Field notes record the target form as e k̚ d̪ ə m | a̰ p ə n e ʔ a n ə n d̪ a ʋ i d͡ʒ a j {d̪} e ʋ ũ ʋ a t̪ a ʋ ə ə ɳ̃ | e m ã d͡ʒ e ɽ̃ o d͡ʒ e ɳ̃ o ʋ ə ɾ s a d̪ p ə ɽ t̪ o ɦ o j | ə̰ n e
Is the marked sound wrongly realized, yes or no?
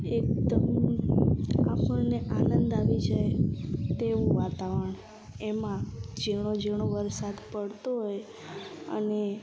yes